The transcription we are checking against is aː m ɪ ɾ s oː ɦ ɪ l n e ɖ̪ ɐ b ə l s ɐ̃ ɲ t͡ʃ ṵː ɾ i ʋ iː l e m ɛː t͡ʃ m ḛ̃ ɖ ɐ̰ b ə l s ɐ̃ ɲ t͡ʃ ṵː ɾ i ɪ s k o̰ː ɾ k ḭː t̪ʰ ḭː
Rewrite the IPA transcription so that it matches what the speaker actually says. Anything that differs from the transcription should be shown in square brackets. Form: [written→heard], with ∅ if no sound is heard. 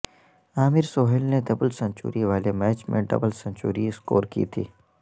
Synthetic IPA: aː m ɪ ɾ s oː ɦ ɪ l n e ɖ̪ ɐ b ə l s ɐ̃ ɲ t͡ʃ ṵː ɾ i ʋ [iː→aː] l e m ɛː t͡ʃ m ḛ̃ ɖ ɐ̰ b ə l s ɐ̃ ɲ t͡ʃ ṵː ɾ i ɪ s k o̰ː ɾ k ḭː t̪ʰ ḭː